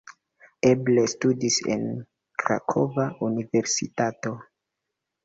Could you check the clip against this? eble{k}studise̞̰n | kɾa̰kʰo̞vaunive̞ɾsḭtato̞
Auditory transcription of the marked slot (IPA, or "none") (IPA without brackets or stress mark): none